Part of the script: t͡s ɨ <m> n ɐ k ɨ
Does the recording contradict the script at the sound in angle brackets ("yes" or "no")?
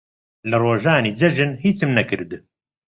no